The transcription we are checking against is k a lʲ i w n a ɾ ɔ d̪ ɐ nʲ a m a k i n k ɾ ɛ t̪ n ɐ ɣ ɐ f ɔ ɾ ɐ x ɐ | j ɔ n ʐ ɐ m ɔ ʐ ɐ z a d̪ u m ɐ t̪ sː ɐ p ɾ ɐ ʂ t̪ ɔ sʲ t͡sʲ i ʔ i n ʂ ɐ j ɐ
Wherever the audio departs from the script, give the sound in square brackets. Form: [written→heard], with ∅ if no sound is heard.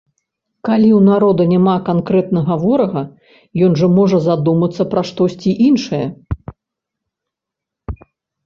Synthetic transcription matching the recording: k a lʲ i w n a ɾ ɔ d̪ ɐ nʲ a m a k [i→a] n k ɾ ɛ t̪ n ɐ ɣ ɐ [f→v] ɔ ɾ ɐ [x→ɣ] ɐ | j ɔ n ʐ ɐ m ɔ ʐ ɐ z a d̪ u m ɐ t̪ sː ɐ p ɾ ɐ ʂ t̪ ɔ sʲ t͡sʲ i ʔ i n ʂ ɐ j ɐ